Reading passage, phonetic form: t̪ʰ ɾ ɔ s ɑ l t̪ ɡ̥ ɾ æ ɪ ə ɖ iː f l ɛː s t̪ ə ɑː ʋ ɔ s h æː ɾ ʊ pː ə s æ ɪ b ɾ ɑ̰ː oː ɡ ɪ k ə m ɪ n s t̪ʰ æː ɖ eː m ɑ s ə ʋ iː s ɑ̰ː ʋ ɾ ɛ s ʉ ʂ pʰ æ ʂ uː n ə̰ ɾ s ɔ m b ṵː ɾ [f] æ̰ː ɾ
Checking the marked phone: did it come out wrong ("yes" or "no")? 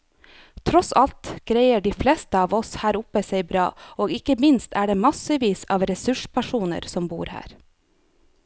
yes